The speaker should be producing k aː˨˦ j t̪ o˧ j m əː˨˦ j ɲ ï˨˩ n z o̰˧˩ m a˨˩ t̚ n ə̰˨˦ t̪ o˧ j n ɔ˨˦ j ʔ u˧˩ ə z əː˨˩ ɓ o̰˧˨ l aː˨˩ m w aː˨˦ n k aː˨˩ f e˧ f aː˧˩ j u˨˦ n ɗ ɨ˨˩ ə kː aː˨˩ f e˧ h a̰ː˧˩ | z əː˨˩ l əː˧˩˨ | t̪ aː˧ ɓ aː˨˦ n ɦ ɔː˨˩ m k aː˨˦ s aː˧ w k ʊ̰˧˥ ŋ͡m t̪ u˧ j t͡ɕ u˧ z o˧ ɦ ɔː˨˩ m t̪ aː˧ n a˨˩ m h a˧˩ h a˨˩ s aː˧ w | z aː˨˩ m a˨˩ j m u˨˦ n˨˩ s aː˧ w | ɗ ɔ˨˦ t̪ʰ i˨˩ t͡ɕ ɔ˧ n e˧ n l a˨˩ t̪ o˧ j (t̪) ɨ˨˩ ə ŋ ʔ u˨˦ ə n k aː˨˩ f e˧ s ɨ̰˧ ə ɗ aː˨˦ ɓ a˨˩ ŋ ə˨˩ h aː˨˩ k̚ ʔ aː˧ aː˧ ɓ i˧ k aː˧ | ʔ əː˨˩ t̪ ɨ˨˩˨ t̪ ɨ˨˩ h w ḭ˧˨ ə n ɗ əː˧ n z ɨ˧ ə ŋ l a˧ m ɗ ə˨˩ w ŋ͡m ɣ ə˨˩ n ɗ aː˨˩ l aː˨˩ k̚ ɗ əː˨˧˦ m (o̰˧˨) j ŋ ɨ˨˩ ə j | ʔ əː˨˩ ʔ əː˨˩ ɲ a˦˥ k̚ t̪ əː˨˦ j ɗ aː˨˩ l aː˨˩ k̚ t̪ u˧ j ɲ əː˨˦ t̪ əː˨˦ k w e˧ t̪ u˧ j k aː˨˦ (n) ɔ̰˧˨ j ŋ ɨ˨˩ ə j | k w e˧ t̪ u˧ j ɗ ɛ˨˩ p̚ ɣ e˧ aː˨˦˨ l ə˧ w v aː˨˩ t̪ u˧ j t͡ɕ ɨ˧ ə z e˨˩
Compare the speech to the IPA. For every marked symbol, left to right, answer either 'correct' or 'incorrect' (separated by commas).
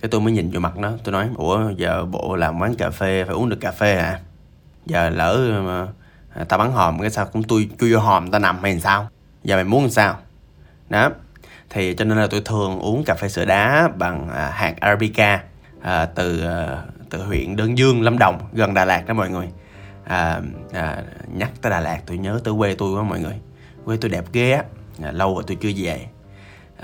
incorrect, incorrect, incorrect